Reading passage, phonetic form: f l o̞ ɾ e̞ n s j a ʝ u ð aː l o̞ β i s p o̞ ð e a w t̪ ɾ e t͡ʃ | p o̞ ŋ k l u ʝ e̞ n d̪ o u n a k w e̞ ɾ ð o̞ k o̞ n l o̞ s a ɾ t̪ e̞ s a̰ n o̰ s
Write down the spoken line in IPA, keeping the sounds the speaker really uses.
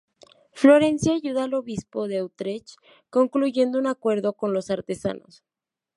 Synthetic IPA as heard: f l o̞ ɾ e̞ n s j a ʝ u ð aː l o̞ β i s p o̞ ð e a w t̪ ɾ e t͡ʃ | k o̞ ŋ k l u ʝ e̞ n d̪ o u n a k w e̞ ɾ ð o̞ k o̞ n l o̞ s a ɾ t̪ e̞ s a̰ n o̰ s

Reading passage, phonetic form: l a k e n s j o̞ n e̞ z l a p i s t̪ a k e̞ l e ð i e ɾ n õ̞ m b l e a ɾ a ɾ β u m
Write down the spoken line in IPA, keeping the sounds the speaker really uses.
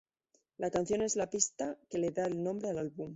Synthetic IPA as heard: l a k a n θ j o̞ n e̞ z l a p i s t̪ a k e̞ l e ð a e l n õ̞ m b ɾ e a l a l β u m

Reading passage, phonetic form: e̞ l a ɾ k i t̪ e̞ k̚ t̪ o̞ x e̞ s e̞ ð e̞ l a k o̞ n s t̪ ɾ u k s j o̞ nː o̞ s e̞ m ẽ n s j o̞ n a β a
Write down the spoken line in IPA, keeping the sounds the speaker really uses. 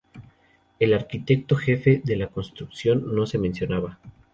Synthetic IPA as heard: e̞ l a ɾ k i t̪ e̞ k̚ t̪ o̞ x e̞ f e̞ ð e̞ l a k o̞ n s t̪ ɾ u k s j o̞ nː o̞ s e̞ m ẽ n s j o̞ n a β a

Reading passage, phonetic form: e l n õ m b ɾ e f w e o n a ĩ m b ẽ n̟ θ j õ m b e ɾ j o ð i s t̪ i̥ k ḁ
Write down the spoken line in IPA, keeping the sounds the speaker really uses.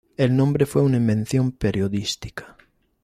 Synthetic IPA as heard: e l n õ m b ɾ e f w e u n a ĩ m b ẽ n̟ θ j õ m p e ɾ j o ð i s t̪ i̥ k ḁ

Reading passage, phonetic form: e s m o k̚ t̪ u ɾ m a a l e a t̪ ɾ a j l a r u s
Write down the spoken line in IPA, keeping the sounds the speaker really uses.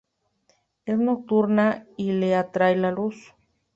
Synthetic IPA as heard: e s n o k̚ t̪ u ɾ n a i l e a t̪ ɾ a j l a l u s

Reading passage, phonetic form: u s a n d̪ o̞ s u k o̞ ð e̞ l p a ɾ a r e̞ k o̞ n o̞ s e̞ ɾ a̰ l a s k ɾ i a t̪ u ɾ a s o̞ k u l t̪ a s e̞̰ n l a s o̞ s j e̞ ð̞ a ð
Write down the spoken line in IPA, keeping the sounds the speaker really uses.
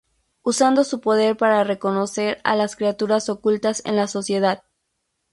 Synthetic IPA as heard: u s a n d̪ o̞ s u p o̞ ð e̞ ɾ p a ɾ a r e̞ k o̞ n o̞ s e̞ ɾ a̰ l a s k ɾ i a t̪ u ɾ a s o̞ k u l t̪ a s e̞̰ n l a s o̞ s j e̞ ð̞ a ð

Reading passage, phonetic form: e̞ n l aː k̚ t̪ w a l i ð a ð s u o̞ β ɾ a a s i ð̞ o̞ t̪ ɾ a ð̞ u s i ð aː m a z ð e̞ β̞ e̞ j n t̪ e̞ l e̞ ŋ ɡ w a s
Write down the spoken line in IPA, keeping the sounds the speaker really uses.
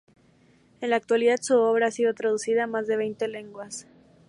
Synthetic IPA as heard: e̞ n l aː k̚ t̪ w a l i ð a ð s u o̞ β ɾ a a s i ð̞ o̞ t̪ ɾ a ð̞ u s i ð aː m a z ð e̞ β̞ e̞ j n t̪ e̞ l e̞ ŋ ɡ w a s

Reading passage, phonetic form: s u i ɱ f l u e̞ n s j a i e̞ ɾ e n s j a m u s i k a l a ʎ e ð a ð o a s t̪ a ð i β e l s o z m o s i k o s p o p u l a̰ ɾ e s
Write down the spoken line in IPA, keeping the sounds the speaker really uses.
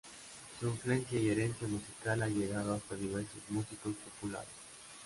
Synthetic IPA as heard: s u i ɱ f l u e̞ n s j a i e̞ ɾ e n s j a m u s i k a l a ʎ e ɣ a ð o a s t̪ a ð i β e ɾ s o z m u s i k o s p o p u l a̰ ɾ e s

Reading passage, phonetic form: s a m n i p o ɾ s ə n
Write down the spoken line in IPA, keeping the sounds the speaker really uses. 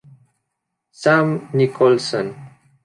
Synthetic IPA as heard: s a m n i k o l s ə n

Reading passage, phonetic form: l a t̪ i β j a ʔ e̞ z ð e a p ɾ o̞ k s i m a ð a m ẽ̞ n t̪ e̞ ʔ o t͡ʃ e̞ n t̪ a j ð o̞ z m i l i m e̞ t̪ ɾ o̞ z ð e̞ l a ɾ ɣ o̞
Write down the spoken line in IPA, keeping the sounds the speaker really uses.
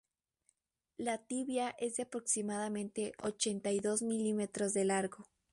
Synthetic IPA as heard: l a t̪ i β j a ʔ e̞ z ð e a p ɾ o̞ k s i m a ð a m ẽ̞ n t̪ e̞ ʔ o t͡ʃ e̞ n t̪ a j ð o̞ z m i l i m e̞ t̪ ɾ o̞ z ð e̞ l a ɾ ɣ o̞

